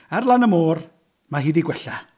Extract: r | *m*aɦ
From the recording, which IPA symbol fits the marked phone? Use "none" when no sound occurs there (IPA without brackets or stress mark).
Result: m